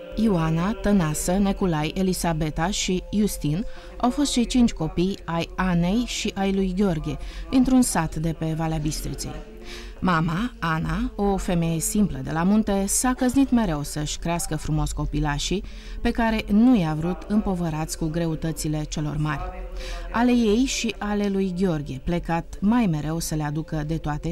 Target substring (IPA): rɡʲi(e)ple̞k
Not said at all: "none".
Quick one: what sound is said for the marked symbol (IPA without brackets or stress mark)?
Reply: e